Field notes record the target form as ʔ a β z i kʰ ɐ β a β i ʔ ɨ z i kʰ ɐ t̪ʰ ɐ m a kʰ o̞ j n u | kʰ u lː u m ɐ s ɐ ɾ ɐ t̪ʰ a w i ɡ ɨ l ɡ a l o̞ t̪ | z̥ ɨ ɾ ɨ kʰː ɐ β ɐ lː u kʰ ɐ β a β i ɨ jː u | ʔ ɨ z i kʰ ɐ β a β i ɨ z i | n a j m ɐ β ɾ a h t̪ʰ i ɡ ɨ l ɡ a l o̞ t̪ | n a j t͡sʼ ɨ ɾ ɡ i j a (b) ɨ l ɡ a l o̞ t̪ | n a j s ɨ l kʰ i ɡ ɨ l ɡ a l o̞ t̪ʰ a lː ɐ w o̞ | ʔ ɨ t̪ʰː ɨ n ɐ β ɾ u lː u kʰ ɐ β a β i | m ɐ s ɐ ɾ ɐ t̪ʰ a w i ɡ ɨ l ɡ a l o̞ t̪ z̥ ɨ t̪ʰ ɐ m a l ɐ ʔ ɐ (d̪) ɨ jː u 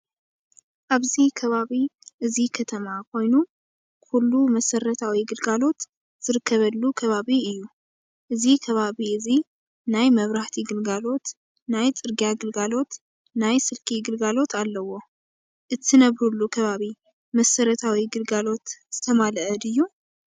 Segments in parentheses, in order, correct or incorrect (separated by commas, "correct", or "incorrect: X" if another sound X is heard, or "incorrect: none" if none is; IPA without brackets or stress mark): incorrect: ɡ, correct